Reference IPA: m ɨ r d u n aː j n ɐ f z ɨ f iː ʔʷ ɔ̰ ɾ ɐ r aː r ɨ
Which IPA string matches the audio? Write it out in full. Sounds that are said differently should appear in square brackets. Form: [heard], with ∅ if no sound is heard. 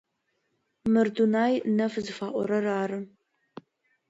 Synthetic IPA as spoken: m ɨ r d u n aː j n ɐ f z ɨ f [aː] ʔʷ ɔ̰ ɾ ɐ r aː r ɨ